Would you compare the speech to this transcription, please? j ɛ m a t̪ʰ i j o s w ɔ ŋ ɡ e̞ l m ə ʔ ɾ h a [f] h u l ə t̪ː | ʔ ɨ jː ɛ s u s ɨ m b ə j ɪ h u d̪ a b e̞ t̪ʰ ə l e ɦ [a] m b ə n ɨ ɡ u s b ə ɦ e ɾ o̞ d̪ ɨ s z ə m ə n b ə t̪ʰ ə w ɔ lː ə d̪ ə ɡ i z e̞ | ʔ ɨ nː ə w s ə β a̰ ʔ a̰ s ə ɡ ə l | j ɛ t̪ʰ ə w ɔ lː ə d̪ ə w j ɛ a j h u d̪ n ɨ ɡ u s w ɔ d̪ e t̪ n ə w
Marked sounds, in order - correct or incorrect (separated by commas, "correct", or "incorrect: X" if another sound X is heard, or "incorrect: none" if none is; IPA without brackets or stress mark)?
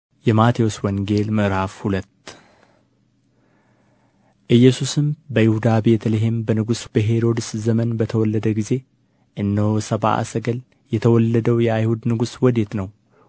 correct, incorrect: e